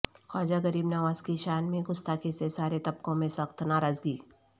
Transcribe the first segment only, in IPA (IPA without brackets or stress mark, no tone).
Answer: x